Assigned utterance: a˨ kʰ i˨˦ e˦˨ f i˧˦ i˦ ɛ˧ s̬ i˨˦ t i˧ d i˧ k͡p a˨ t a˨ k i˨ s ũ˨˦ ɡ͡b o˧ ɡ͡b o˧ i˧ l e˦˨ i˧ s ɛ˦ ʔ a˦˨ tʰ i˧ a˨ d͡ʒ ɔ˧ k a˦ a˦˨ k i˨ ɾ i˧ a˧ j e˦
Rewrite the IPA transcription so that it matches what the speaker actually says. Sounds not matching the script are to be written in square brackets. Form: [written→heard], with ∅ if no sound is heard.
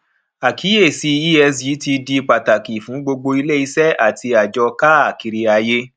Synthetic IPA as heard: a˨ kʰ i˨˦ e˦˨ [f→s] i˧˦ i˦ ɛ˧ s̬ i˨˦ t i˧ d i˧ k͡p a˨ t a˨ k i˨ [s→f] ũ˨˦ ɡ͡b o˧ ɡ͡b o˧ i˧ l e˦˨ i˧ s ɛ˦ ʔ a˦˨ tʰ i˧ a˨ d͡ʒ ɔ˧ k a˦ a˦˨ k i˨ ɾ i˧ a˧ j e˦